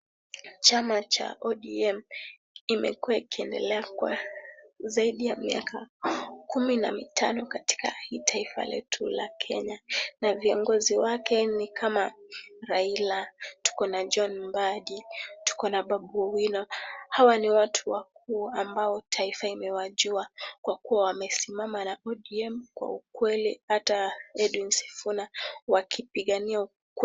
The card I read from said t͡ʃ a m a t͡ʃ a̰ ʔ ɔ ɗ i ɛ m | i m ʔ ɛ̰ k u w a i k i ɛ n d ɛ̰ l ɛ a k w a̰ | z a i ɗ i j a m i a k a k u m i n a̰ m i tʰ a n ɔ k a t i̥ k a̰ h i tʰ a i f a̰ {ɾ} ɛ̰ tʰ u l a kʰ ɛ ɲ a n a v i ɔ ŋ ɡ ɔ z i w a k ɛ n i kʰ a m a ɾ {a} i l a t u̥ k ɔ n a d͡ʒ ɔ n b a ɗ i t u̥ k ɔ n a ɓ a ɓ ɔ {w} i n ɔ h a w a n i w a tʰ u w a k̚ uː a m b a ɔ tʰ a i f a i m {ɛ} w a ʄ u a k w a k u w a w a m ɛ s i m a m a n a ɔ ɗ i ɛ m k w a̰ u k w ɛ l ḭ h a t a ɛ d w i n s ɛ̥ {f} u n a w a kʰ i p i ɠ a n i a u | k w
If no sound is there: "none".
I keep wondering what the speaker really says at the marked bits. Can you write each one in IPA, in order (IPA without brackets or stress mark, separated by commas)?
l, a, w, ɛ, f